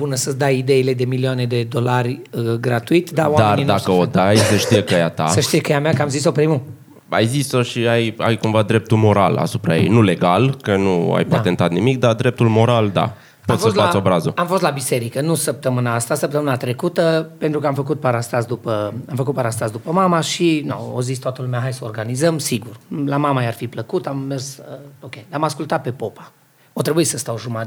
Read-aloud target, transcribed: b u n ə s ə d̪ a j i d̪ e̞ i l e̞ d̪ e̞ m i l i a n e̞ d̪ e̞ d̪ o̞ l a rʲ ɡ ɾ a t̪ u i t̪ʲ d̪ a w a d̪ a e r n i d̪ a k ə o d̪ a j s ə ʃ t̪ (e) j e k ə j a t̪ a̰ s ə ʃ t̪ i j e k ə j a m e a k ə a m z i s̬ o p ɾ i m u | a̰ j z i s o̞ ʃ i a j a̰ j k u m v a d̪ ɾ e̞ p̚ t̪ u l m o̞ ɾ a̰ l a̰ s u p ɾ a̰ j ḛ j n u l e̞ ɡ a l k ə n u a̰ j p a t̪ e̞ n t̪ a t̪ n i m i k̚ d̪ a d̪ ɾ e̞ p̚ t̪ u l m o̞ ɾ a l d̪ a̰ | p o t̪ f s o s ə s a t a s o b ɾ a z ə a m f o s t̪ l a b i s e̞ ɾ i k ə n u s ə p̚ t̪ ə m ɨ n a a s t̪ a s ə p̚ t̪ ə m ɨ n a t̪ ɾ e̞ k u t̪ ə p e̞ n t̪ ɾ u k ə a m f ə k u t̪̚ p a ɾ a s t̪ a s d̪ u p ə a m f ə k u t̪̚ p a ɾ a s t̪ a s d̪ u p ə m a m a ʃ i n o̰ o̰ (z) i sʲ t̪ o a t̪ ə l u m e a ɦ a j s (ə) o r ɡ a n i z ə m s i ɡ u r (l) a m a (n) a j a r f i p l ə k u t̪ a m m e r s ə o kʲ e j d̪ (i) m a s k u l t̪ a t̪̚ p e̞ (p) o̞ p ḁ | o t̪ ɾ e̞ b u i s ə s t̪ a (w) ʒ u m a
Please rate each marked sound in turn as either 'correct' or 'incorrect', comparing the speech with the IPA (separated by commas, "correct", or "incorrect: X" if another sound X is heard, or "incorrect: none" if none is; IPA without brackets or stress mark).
incorrect: i, correct, correct, correct, incorrect: m, incorrect: a, correct, correct